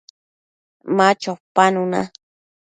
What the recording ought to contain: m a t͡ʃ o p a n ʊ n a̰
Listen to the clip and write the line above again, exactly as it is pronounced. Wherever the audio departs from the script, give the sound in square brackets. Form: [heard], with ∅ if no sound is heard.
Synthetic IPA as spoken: m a t͡ʃ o p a n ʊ n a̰